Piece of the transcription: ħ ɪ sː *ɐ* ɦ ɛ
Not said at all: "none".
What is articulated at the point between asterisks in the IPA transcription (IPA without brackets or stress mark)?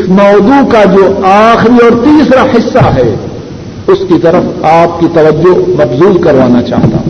a